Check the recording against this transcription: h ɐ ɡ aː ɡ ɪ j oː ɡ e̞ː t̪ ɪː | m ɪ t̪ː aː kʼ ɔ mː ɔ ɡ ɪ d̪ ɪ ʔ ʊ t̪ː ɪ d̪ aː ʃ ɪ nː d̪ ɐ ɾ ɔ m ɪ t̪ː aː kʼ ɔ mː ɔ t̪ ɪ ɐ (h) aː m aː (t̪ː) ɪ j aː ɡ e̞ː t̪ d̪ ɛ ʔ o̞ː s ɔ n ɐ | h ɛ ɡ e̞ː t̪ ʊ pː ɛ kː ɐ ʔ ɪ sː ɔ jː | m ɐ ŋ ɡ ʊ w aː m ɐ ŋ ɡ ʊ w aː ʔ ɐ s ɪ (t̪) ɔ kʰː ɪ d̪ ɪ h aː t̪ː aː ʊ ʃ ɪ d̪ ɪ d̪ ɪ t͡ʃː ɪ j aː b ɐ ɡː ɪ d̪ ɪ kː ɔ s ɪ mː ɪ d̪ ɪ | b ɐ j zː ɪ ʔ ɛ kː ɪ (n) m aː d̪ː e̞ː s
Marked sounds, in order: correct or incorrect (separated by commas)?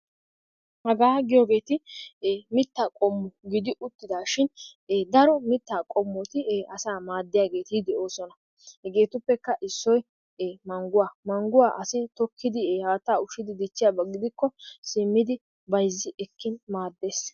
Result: incorrect, incorrect, correct, correct